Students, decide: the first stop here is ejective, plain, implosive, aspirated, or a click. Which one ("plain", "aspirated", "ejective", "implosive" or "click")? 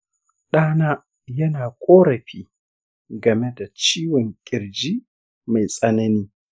implosive